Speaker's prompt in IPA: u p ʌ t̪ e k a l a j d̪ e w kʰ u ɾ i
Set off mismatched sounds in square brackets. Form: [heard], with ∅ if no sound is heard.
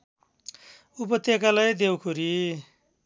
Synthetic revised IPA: u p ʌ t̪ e k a l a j d̪ e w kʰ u ɾ i